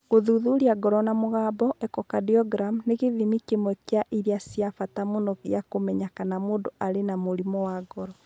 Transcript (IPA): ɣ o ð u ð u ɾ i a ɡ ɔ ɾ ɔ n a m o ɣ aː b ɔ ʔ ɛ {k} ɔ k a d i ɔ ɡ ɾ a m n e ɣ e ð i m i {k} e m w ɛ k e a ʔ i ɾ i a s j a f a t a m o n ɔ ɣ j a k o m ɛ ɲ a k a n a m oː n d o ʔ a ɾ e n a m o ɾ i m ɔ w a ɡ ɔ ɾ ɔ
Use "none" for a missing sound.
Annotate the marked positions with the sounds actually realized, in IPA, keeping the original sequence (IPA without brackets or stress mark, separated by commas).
k, k